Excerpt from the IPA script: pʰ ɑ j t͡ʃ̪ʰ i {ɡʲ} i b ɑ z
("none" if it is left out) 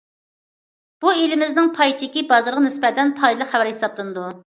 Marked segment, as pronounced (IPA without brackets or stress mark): kʲ